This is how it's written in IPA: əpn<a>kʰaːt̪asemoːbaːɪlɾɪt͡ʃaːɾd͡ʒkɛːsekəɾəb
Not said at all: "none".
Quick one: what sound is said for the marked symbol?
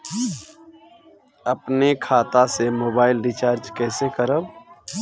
e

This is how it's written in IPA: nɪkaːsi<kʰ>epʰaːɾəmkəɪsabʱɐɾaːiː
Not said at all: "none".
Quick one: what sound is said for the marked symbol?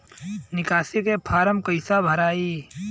k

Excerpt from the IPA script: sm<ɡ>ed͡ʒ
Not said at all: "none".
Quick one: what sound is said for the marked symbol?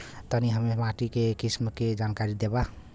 k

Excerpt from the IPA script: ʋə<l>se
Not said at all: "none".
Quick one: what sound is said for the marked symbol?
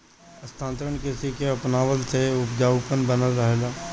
l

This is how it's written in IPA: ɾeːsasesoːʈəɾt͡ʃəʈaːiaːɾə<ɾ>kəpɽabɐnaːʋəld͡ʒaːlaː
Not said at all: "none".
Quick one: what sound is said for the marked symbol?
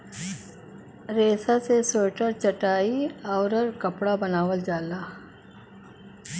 ɾ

